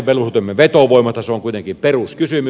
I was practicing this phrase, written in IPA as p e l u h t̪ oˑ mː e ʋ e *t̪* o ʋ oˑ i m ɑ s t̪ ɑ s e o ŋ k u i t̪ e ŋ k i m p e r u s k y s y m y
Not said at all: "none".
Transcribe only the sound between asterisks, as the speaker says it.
t̪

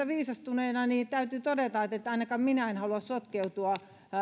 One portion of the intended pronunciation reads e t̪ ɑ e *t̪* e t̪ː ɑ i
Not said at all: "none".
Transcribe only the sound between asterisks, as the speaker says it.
t̪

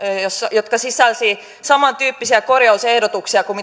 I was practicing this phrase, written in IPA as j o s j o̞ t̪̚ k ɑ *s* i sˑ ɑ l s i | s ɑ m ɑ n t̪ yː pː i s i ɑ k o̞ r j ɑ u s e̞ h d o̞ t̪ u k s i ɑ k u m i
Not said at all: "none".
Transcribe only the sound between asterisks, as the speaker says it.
s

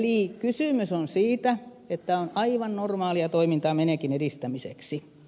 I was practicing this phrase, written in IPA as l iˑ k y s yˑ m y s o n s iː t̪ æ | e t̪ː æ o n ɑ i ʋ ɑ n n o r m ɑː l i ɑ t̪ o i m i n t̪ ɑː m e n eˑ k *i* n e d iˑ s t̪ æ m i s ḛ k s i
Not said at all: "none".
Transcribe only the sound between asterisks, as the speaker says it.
i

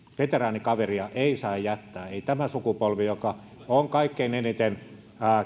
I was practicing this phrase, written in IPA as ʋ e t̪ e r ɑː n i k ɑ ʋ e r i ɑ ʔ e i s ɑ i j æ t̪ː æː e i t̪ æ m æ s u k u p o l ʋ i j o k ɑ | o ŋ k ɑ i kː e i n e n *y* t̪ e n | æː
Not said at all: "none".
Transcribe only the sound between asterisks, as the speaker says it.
i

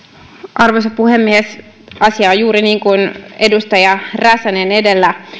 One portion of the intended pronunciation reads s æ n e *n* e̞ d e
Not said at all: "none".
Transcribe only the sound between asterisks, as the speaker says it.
n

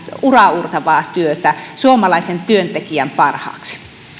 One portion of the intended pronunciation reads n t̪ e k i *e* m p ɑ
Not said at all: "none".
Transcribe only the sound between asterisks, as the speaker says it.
æ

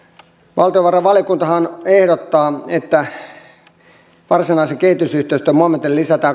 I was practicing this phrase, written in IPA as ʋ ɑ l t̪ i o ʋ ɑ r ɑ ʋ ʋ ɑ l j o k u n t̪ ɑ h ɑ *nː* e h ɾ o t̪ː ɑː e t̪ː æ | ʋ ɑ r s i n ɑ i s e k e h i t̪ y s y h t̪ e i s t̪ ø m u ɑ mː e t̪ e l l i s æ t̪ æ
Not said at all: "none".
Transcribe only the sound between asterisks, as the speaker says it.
n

